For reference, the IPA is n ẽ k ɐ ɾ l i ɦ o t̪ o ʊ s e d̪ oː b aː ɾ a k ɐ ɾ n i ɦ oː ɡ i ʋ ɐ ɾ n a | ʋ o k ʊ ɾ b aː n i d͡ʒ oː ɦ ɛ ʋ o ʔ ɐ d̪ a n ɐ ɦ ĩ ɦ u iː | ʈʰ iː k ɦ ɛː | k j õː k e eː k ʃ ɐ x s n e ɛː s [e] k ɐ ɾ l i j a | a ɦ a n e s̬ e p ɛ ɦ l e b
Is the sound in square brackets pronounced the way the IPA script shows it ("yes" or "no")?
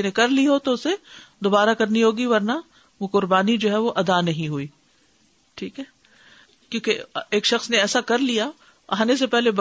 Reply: no